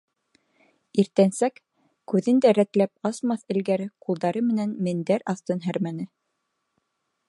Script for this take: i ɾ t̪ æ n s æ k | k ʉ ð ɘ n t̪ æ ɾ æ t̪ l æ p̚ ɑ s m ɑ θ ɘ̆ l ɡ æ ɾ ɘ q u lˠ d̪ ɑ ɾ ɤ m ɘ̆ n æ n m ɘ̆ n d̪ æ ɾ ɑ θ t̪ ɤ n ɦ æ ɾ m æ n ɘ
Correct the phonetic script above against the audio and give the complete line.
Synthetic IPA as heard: i ɾ t̪ æ n s æ k | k ʉ ð ɘ n d̪ æ ɾ æ t̪ l æ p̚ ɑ s m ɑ θ ɘ̆ l ɡ æ ɾ ɘ q u lˠ d̪ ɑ ɾ ɤ m ɘ̆ n æ n m ɘ̆ n d̪ æ ɾ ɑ θ t̪ ɤ n ɦ æ ɾ m æ n ɘ